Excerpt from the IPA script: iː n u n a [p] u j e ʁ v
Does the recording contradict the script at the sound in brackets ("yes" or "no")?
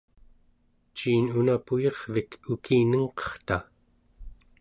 no